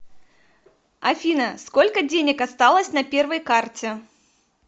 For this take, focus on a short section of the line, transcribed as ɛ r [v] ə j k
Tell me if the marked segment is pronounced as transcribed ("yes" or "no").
yes